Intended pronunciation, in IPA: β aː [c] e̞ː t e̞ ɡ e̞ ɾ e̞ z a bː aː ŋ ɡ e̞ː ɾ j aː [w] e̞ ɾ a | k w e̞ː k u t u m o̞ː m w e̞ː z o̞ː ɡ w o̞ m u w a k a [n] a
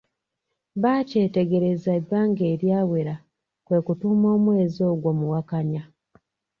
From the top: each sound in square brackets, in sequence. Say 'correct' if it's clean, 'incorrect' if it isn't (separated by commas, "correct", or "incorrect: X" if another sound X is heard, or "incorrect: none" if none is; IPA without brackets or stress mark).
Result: correct, correct, incorrect: ɲ